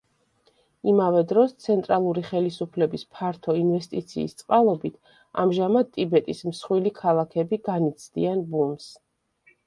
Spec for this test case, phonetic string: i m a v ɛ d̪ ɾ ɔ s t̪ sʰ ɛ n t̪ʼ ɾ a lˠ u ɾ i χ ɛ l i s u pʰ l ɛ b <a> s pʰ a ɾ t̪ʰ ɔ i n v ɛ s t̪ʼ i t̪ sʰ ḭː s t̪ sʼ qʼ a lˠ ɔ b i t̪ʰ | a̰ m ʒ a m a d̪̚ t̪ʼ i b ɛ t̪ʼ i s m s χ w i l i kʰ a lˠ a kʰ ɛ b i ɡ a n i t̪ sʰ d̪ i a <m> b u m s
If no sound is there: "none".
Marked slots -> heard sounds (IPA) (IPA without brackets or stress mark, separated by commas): i, n